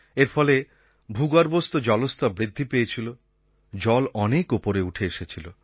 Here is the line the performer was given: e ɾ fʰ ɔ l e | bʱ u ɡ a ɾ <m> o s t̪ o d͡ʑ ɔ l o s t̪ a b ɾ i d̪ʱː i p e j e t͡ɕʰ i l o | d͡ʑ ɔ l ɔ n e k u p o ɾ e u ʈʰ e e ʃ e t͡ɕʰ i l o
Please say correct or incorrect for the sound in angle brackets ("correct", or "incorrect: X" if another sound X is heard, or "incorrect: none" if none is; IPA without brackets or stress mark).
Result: incorrect: b